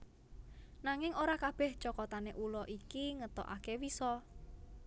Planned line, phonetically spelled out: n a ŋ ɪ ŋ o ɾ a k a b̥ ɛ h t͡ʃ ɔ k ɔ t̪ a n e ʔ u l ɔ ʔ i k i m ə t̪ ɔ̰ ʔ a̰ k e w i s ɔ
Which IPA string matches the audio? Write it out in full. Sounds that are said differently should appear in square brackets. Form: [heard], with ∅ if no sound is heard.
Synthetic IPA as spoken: n a ŋ ɪ ŋ o ɾ a k a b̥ ɛ h t͡ʃ ɔ k ɔ t̪ a n e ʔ u l ɔ ʔ i k i [ŋ] ə t̪ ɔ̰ ʔ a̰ k e w i s ɔ